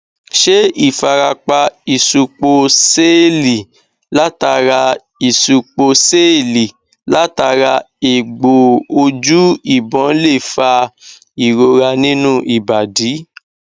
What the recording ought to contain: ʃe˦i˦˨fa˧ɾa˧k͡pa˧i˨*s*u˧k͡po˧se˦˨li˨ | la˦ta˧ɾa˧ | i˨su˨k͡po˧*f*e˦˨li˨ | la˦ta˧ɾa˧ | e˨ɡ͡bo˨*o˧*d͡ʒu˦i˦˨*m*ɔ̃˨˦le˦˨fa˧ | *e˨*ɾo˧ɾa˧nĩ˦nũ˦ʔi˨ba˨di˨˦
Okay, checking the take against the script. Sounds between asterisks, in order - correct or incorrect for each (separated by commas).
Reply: correct, incorrect, correct, incorrect, incorrect